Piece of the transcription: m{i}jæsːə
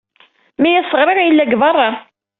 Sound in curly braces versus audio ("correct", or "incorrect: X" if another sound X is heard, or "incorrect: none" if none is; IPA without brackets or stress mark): incorrect: æ